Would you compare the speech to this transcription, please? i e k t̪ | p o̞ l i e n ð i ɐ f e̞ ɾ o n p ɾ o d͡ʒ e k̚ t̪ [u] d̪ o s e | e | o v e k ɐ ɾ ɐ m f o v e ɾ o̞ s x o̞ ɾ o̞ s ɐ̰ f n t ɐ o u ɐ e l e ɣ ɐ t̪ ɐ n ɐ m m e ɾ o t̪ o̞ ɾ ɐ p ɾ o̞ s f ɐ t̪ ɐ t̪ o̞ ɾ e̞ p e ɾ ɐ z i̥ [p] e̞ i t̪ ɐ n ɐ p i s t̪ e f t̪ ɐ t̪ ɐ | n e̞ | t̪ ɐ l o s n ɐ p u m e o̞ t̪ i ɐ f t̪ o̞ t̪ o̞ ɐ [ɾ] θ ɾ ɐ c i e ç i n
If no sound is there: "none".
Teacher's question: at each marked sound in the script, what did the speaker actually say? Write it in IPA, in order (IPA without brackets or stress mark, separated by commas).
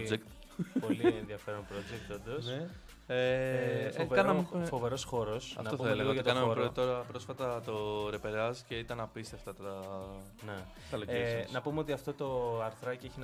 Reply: o, c, ɾ